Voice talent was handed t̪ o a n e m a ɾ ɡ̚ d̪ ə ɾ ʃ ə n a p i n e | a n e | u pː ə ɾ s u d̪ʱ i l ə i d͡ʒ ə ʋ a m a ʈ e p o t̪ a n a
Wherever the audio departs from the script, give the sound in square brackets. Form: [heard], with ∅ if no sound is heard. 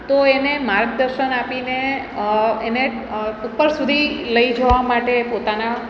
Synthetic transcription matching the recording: t̪ o [e] n e m a ɾ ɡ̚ d̪ ə ɾ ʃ ə n a p i n e | [e] n e | u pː ə ɾ s u d̪ʱ i l ə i d͡ʒ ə ʋ a m a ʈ e p o t̪ a n a

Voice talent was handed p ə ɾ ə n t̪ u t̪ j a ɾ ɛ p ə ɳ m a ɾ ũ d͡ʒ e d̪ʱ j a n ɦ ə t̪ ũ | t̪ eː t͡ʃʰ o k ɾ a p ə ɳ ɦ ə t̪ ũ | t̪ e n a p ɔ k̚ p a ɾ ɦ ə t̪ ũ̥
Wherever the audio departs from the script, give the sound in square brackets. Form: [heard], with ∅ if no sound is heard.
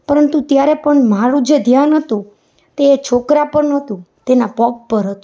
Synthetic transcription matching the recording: p ə ɾ ə n t̪ u t̪ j a ɾ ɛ p ə ɳ m a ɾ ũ d͡ʒ e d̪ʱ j a n ɦ ə t̪ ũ | t̪ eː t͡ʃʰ o k ɾ a p ə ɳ ɦ ə t̪ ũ | t̪ e n a p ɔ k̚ p [ə] ɾ ɦ ə t̪ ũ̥

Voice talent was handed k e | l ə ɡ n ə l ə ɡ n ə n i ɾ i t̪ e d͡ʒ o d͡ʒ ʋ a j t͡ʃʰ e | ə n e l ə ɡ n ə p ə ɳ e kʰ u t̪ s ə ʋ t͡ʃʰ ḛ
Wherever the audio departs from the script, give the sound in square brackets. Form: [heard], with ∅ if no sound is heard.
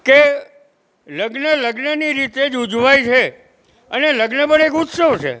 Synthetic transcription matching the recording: k e | l ə ɡ n ə l ə ɡ n ə n i ɾ i t̪ e d͡ʒ [u] d͡ʒ ʋ a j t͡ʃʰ e | ə n e l ə ɡ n ə p ə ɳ e [k] u t̪ s ə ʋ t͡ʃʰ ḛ

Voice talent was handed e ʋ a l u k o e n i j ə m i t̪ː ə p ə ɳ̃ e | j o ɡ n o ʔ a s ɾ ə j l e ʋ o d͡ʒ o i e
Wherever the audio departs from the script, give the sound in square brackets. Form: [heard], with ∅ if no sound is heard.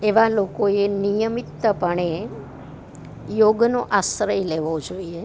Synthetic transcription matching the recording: e ʋ a l [o] k o e n i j ə m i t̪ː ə p ə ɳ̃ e | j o ɡ n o ʔ a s ɾ ə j l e ʋ o d͡ʒ o i e

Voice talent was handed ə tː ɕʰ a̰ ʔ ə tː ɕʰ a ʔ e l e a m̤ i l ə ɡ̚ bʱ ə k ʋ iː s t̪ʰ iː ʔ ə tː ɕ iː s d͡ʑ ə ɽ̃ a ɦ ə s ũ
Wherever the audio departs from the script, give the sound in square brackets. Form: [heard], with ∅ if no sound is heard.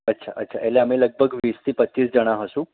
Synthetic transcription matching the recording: ə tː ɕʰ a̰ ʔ ə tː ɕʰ a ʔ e l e a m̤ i l ə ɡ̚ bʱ ə [ɡ] ʋ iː s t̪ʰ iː [p] ə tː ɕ iː s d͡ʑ ə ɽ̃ a ɦ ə s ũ

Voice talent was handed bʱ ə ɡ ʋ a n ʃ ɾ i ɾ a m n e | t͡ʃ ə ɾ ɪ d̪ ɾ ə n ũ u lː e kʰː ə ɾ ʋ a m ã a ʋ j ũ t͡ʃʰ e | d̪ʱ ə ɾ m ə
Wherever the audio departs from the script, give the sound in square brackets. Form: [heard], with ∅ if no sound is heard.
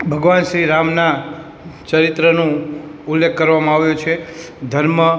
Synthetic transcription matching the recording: bʱ ə ɡ ʋ a n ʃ ɾ i ɾ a m n [a] | t͡ʃ ə ɾ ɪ [t̪] ɾ ə n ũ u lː e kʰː ə ɾ ʋ a m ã a ʋ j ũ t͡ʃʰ e | d̪ʱ ə ɾ m ə

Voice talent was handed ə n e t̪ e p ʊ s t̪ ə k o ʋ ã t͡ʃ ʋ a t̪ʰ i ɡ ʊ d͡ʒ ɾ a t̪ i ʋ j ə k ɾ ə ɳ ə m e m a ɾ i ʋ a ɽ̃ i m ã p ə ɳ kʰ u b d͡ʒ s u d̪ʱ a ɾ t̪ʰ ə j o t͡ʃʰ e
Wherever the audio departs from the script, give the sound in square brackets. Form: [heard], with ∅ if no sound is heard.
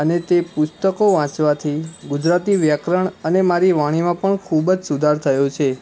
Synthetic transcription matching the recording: ə n e t̪ e p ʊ s t̪ ə k o ʋ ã t͡ʃ ʋ a t̪ʰ i ɡ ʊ d͡ʒ ɾ a t̪ i ʋ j ə k ɾ ə ɳ ə [n] e m a ɾ i ʋ a ɽ̃ i m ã p ə ɳ kʰ u b d͡ʒ s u d̪ʱ a ɾ t̪ʰ ə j o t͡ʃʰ e

